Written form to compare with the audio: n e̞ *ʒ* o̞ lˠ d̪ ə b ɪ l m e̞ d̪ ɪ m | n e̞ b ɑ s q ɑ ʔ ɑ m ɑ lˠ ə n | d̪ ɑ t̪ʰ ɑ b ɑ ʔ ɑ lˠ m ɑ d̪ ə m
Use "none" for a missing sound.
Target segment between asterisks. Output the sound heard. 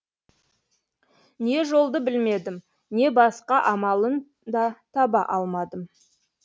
ʒ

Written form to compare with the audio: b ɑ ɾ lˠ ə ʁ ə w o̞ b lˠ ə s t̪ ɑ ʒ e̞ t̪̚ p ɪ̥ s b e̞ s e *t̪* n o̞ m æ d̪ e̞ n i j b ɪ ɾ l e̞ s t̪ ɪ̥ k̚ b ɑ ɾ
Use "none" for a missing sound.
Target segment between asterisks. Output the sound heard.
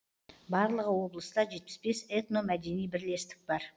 t̪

